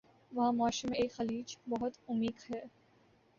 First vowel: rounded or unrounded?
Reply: unrounded